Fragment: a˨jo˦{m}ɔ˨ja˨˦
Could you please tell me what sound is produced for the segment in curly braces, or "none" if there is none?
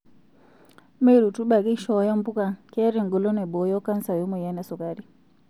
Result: m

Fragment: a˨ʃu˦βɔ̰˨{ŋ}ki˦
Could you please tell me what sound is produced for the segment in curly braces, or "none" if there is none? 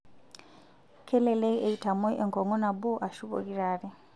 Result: none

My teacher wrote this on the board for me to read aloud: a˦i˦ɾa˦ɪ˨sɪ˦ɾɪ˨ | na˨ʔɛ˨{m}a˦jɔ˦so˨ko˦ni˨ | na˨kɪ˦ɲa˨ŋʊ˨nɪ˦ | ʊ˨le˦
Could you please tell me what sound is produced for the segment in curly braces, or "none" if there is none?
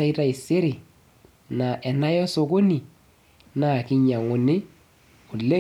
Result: n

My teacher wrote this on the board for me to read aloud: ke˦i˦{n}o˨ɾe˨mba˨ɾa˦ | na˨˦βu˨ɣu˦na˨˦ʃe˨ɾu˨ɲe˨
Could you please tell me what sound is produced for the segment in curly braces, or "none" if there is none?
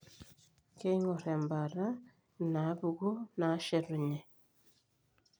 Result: ŋ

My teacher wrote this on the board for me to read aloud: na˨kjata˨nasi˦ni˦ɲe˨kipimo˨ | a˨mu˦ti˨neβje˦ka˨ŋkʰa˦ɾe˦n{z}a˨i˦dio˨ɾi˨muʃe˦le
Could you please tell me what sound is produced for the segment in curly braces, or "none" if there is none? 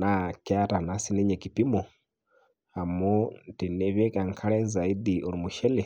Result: z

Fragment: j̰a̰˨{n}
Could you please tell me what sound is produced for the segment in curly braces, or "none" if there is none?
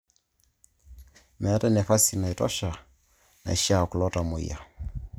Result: none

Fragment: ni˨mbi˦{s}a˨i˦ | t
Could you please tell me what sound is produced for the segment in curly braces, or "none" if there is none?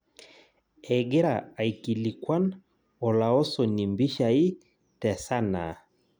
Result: ʃ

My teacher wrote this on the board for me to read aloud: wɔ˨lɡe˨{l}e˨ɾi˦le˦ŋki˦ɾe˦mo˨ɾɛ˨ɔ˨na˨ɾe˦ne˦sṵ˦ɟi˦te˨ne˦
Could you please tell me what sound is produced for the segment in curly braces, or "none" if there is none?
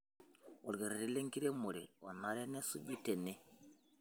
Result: ɾ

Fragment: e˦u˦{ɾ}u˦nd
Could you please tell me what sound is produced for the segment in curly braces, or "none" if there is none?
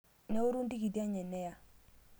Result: ɾ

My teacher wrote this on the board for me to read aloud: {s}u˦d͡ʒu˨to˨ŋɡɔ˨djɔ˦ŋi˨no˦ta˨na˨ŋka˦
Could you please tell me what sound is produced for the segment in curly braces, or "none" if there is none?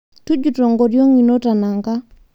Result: t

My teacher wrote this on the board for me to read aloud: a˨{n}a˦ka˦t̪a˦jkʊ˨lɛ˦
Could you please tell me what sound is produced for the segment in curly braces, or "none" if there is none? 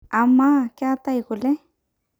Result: m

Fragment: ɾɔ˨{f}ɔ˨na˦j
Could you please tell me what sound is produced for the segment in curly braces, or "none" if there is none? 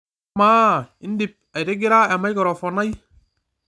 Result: f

